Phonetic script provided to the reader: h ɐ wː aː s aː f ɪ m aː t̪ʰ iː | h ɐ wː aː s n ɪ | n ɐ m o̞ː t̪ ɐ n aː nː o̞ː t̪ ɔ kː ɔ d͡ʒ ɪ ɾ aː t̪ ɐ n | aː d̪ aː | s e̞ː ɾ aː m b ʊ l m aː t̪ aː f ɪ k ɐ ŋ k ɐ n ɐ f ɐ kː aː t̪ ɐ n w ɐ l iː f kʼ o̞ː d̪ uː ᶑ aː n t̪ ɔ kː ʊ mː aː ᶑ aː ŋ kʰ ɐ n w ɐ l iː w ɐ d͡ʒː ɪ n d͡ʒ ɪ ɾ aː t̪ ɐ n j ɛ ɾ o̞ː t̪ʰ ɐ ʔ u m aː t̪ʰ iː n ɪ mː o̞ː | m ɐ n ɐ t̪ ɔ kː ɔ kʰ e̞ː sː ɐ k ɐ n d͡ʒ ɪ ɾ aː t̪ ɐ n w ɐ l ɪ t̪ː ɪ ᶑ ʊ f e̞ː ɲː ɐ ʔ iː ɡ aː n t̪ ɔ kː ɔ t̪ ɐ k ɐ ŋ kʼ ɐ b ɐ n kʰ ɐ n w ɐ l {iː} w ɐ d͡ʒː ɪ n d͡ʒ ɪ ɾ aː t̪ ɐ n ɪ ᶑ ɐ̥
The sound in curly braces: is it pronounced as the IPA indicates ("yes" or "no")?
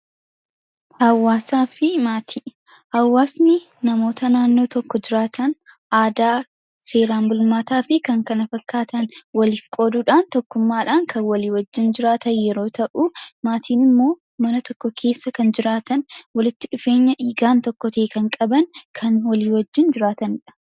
yes